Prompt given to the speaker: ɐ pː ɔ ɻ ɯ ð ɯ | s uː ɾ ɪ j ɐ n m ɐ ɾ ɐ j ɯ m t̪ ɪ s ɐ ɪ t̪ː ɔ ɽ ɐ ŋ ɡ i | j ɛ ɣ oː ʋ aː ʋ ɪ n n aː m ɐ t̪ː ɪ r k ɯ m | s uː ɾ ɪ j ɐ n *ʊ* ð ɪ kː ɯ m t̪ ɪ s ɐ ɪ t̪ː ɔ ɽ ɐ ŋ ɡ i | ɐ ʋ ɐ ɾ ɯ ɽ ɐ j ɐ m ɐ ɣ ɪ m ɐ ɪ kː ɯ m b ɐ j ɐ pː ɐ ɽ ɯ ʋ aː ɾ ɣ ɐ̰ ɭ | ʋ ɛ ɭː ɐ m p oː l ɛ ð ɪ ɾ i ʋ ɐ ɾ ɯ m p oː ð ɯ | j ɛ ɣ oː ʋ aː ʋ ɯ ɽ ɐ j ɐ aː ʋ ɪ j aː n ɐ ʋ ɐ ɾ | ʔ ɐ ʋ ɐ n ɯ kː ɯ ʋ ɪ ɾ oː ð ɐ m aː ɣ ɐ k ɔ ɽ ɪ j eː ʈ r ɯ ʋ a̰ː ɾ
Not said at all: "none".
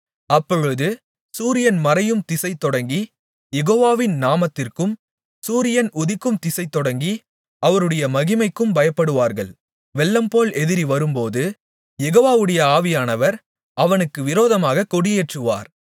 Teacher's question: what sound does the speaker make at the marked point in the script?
ʊ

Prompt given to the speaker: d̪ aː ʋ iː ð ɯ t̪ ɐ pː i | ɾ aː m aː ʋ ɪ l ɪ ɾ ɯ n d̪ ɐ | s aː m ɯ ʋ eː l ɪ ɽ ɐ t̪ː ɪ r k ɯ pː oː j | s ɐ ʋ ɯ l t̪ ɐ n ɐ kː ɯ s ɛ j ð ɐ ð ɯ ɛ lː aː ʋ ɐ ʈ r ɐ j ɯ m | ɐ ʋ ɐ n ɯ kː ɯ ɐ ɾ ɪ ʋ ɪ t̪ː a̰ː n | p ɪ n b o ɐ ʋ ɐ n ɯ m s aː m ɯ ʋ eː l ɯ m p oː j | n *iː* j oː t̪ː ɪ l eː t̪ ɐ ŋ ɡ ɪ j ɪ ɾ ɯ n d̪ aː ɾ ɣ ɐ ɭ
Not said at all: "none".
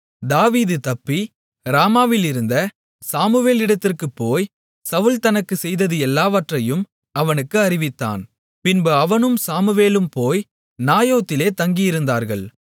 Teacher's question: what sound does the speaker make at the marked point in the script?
aː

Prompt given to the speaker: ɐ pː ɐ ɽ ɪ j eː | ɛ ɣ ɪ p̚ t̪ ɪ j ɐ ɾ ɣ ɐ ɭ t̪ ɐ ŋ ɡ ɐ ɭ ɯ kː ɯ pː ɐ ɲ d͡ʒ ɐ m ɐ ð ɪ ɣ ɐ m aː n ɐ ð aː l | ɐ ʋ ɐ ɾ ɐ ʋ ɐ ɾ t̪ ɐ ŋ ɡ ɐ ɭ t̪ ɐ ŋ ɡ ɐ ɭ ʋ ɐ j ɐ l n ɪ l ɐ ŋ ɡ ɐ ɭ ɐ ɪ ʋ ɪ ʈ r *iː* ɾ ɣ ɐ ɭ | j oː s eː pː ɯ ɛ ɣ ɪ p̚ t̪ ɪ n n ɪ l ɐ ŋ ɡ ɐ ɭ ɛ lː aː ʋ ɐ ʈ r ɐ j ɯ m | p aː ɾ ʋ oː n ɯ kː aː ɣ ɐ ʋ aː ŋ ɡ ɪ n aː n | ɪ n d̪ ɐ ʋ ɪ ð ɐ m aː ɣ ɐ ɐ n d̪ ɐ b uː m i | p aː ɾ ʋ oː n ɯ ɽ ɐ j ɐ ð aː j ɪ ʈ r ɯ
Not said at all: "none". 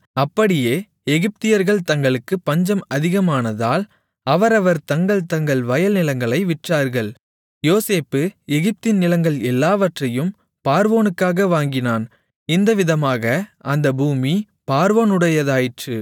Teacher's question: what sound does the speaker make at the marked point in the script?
aː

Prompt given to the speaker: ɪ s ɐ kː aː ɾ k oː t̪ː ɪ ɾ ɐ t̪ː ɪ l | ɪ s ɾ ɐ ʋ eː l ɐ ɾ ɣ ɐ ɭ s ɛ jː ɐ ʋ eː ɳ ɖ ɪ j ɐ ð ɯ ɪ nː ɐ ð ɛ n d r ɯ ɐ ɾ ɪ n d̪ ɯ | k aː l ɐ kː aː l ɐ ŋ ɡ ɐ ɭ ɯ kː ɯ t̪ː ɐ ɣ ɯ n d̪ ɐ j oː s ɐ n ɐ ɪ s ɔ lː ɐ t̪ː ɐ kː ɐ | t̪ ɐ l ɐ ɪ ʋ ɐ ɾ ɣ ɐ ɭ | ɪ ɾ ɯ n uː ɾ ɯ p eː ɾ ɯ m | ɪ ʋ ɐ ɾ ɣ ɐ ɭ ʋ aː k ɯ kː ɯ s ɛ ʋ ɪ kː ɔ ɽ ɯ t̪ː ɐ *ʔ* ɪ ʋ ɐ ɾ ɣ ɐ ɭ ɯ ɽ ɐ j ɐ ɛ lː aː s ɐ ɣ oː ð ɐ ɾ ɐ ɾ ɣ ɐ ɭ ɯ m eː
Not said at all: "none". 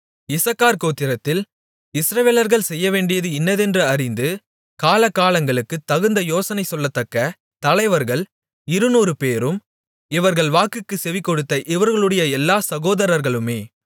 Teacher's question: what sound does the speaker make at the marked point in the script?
ʔ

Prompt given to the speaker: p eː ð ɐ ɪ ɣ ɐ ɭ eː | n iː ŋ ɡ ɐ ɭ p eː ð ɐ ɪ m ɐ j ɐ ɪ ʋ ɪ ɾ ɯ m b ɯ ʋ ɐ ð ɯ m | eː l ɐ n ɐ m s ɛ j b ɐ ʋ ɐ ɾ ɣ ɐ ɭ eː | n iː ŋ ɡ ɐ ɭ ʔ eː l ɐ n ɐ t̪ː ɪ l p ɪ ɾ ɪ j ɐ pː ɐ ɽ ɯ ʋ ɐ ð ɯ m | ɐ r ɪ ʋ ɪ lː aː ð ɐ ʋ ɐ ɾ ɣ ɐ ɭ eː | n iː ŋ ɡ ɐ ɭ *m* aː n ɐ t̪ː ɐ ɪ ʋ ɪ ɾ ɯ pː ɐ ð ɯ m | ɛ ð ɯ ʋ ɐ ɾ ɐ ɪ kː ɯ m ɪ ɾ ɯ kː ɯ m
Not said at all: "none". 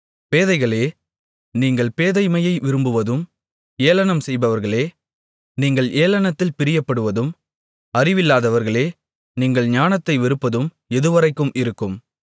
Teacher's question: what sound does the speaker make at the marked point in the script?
ɲ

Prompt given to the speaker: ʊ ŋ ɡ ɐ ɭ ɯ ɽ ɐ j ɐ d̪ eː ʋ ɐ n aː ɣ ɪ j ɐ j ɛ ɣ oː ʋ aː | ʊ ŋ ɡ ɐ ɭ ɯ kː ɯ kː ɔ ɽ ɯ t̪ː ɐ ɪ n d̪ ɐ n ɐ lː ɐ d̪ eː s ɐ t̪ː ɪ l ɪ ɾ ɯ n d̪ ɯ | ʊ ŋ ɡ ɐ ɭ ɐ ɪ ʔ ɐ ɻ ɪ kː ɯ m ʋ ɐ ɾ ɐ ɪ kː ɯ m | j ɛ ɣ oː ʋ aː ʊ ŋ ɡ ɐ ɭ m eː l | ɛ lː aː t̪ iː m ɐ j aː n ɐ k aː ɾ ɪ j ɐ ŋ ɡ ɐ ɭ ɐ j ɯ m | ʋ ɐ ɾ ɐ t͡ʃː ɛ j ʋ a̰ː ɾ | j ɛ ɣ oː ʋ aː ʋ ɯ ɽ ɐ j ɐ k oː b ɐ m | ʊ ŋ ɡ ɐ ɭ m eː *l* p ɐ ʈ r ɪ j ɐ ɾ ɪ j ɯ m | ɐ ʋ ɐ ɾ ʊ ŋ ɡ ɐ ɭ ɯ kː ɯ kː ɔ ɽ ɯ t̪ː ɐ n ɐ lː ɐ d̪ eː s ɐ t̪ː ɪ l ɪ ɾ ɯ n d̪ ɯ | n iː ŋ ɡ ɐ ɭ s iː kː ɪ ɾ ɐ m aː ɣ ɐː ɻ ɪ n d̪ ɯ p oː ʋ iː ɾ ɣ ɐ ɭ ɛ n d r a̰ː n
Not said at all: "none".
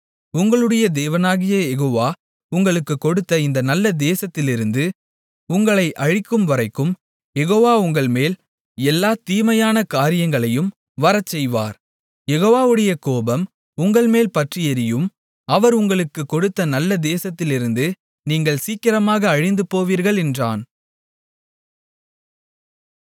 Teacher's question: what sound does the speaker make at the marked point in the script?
l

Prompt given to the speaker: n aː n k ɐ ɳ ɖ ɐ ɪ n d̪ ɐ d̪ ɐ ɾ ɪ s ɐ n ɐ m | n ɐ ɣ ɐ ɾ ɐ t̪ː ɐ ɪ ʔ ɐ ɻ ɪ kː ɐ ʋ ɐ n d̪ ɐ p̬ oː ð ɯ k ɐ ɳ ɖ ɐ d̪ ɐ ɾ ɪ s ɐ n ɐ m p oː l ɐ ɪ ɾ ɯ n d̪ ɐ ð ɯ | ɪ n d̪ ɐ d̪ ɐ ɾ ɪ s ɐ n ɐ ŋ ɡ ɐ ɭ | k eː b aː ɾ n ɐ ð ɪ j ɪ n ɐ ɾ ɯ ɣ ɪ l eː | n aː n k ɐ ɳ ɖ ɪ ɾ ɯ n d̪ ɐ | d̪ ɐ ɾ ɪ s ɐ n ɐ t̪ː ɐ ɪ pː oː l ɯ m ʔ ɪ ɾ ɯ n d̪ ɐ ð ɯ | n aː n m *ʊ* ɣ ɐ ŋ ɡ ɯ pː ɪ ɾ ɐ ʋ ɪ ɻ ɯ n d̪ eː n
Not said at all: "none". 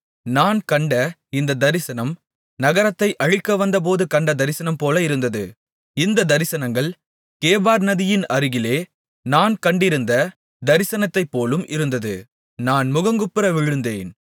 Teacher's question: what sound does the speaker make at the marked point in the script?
ʊ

